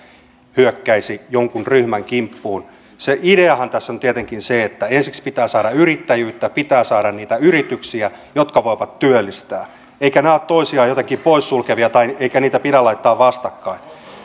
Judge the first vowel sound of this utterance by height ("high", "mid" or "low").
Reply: high